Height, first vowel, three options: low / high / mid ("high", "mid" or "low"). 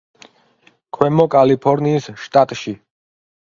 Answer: mid